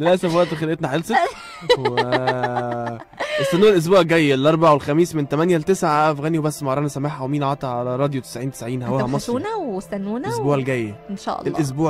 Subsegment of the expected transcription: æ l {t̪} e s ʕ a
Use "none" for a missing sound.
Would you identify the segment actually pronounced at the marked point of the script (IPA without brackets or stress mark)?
t̪